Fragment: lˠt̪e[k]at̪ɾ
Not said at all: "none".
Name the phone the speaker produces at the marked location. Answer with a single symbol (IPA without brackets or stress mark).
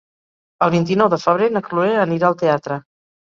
none